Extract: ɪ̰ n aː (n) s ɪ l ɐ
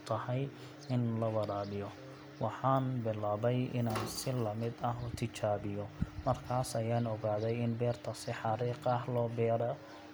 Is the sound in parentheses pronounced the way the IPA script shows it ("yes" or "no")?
yes